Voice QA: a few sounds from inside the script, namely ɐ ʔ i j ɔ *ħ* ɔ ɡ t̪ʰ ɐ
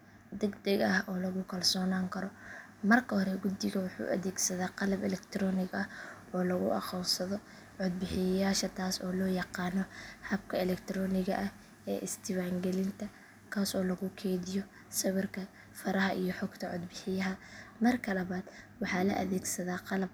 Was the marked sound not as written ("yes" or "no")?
no